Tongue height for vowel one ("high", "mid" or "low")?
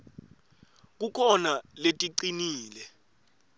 high